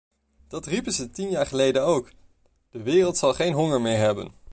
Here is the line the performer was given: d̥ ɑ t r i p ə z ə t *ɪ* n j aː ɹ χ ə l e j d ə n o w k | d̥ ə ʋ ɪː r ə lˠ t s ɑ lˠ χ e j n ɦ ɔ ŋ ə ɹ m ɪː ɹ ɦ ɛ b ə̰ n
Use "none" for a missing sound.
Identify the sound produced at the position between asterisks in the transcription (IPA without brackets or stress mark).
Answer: i